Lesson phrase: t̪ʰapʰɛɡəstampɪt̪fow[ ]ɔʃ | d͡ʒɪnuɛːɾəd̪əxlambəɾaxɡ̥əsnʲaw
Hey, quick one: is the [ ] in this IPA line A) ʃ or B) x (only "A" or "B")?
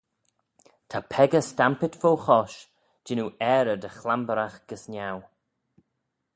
B